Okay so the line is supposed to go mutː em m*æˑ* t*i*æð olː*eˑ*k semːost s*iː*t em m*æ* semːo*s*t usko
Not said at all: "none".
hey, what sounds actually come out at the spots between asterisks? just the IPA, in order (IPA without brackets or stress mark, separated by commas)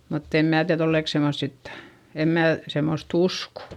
æˑ, i, eˑ, i, æː, s